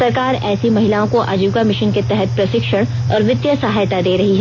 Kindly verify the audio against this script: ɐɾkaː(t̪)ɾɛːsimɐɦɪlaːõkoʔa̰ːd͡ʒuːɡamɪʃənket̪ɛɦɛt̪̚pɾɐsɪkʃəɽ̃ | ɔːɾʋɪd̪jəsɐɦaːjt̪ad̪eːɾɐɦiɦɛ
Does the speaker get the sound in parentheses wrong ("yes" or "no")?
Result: yes